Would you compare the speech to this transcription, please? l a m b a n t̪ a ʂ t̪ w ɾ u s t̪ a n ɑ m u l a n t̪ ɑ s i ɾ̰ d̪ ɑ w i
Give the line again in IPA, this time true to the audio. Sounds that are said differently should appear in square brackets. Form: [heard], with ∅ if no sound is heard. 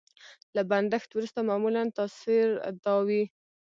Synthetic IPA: l a [∅] b a n [d̪] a [x] t̪ w ɾ u s t̪ a [m] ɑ m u l a n t̪ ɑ s i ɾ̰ d̪ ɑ w i